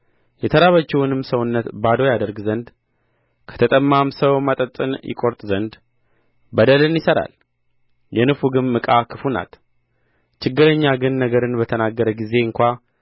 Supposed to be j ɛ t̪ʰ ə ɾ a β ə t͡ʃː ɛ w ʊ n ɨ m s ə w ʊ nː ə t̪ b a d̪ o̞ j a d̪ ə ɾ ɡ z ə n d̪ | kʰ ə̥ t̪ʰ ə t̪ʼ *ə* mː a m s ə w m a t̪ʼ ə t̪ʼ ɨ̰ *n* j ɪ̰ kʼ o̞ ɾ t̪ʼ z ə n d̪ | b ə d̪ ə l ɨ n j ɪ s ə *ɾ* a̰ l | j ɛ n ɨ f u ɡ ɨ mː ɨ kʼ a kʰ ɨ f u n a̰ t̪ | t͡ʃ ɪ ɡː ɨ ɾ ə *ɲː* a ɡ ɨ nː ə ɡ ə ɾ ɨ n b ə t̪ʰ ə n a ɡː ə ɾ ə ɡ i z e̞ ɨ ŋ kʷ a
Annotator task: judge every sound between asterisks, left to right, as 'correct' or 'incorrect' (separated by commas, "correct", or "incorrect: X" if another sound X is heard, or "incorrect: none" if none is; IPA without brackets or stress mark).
correct, correct, correct, correct